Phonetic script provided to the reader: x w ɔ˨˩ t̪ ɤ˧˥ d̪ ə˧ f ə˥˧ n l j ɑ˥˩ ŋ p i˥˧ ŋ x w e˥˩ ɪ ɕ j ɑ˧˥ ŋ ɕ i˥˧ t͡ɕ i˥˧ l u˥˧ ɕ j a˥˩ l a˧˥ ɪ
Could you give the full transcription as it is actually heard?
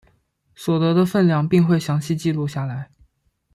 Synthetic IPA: s w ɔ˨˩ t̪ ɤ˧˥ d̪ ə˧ f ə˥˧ n l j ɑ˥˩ ŋ p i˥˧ ŋ x w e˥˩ ɪ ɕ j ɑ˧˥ ŋ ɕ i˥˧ t͡ɕ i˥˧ l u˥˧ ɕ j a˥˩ l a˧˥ ɪ